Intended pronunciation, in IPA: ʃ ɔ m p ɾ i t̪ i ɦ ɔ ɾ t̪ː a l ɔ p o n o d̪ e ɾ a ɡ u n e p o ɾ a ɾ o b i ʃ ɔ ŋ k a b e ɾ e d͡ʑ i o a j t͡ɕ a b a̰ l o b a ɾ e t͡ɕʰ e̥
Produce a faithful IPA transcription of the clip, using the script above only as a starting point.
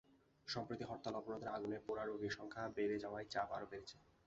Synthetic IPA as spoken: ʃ ɔ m p ɾ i t̪ i ɦ ɔ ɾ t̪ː a l ɔ p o n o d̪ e ɾ a ɡ u n e p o ɾ a ɾ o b i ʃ ɔ ŋ kʰ a b e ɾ e d͡ʑ a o a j t͡ɕ a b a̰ ɾ o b e ɾ e t͡ɕʰ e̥

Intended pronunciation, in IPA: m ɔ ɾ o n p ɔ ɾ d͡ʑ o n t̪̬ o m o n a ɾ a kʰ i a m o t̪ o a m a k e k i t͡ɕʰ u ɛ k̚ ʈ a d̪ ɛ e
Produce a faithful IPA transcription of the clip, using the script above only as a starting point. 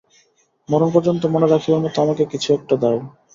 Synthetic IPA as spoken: m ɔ ɾ o n p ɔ ɾ d͡ʑ o n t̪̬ o m o n e ɾ a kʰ i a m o t̪ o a m a k e k i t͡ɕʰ u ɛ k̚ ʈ a d̪ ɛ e

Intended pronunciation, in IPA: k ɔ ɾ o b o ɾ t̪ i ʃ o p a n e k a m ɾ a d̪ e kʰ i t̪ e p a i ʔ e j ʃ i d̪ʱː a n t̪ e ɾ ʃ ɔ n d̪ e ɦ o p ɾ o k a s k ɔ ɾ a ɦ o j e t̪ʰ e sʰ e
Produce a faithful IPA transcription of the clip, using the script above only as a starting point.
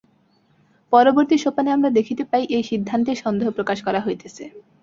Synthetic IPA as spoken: p ɔ ɾ o b o ɾ t̪ i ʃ o p a n e a m ɾ a d̪ e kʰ i t̪ e p a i ʔ e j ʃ i d̪ʱː a n t̪ e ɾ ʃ ɔ n d̪ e ɦ o p ɾ o k a ʃ k ɔ ɾ a ɦ o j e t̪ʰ e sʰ e

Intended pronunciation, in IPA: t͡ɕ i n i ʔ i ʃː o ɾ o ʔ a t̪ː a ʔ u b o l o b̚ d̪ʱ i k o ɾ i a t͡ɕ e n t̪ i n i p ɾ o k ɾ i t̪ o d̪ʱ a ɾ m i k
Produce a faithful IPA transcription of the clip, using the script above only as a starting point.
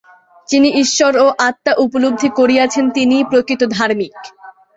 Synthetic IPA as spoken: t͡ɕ i n i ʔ i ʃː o ɾ o ʔ a t̪ː a ʔ u p o l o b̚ d̪ʱ i k o ɾ i a t͡ɕʰ e n t̪ i n i p ɾ o k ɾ i t̪ o d̪ʱ a ɾ m i k

